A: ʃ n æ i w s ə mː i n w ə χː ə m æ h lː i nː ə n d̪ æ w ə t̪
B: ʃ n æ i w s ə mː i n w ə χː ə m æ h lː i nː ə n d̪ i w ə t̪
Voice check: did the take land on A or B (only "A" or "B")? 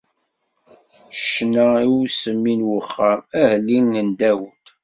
A